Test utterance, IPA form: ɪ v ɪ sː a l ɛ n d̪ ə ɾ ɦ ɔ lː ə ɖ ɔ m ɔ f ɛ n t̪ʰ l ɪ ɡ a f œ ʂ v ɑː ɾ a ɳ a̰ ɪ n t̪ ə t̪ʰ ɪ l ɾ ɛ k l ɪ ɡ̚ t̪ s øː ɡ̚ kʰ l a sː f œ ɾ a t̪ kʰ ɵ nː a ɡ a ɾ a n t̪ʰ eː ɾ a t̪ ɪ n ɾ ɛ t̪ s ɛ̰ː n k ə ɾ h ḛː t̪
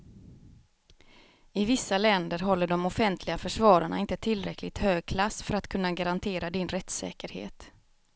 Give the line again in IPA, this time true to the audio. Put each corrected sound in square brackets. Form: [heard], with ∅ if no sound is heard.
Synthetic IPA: ɪ v ɪ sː a l ɛ n d̪ ə ɾ ɦ ɔ lː ə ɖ ɔ m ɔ f ɛ n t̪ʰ l ɪ ɡ a f œ ʂ v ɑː ɾ a ɳ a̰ ɪ n t̪ ə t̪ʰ ɪ l ɾ ɛ k l ɪ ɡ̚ t̪ [h] øː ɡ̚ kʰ l a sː f œ ɾ a t̪ kʰ ɵ nː a ɡ a ɾ a n t̪ʰ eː ɾ a [d̪] ɪ n ɾ ɛ t̪ s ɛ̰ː [∅] k ə ɾ h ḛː t̪